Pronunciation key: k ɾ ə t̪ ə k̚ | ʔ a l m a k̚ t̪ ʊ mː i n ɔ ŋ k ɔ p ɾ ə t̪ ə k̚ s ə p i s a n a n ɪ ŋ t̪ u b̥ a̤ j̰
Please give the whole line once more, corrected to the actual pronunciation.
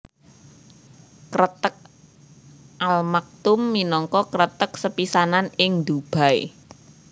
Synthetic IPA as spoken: k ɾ ə t̪ ə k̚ | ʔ a l m a k̚ t̪ ʊ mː i n ɔ ŋ k ɔ k ɾ ə t̪ ə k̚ s ə p i s a n a n ɪ ŋ d̪ u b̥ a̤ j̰

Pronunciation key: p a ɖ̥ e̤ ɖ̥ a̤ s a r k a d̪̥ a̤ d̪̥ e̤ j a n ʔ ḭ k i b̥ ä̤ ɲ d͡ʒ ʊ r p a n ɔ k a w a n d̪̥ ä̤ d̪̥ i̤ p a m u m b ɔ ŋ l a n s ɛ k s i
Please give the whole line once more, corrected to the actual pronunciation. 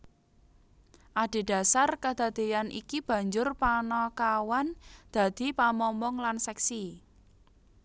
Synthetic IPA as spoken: ʔ a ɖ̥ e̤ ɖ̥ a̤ s a r k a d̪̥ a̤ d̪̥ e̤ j a n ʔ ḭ k i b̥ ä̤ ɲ d͡ʒ ʊ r p a n ɔ k a w a n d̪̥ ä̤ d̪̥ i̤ p a m ɔ m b ɔ ŋ l a n s ɛ k s i

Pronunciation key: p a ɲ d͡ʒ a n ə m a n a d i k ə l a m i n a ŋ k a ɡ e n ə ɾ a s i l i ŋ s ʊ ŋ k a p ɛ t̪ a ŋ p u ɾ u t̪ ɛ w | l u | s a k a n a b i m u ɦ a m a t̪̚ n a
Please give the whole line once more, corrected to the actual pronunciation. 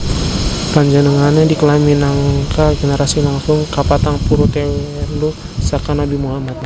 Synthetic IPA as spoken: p a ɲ d͡ʒ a n ə ŋ a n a d i k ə l a m i n a ŋ k a ɡ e n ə ɾ a s i l a ŋ s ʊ ŋ k a p a t̪ a ŋ p u ɾ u t̪ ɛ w | l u | s a k a n a b i m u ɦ a m a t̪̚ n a

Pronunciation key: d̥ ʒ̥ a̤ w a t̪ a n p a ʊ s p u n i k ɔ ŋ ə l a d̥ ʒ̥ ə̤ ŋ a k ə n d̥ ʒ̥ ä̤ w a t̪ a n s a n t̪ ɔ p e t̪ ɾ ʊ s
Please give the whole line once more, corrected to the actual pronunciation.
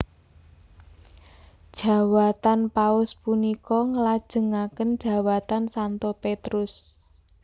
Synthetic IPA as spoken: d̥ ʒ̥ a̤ w a t̪ a n p a ʊ s p u n i k ɔ ŋ ə l a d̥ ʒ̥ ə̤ ŋ a k ə n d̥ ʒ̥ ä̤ w a t̪ a n s a n t̪ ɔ p e t̪ ɾ ʊ s

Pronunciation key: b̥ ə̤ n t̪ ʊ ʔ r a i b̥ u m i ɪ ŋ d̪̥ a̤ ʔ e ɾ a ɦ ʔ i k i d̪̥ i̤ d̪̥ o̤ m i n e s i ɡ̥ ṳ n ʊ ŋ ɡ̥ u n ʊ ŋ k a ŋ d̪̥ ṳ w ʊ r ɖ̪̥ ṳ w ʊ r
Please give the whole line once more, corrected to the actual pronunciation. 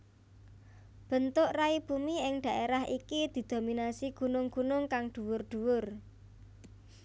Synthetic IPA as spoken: b̥ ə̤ n t̪ ʊ ʔ r a i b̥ u m i ɪ ŋ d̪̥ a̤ ʔ e ɾ a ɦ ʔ i k i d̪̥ i̤ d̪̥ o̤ m i n a s i ɡ̥ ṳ n ʊ ŋ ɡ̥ u n ʊ ŋ k a ŋ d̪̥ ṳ w ʊ r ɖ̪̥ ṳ w ʊ r

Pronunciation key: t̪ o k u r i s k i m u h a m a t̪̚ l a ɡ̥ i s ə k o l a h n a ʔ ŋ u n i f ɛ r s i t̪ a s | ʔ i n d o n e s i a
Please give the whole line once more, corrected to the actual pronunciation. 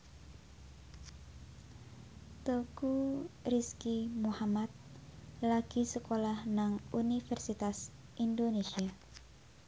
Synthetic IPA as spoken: t̪ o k u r i s k i m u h a m a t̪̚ l a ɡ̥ i s ə k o l a h n a ŋ u n i f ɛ r s i t̪ a s | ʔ i n d o n e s i a

